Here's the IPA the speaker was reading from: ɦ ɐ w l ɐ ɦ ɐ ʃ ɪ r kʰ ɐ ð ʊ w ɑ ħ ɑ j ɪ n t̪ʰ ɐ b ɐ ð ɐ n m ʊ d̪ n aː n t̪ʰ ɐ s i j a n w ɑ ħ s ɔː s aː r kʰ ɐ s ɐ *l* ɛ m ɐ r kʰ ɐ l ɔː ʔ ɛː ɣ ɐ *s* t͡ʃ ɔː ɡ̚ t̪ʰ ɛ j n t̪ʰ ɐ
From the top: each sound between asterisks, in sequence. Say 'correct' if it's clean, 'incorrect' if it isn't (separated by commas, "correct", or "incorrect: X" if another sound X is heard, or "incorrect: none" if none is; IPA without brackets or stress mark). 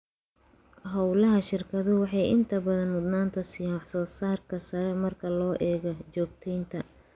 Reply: incorrect: ɾ, incorrect: none